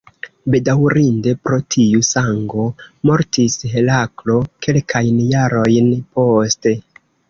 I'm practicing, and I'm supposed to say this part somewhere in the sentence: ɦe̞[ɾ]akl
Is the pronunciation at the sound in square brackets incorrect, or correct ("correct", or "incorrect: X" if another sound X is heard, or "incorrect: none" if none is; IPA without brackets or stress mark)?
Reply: incorrect: l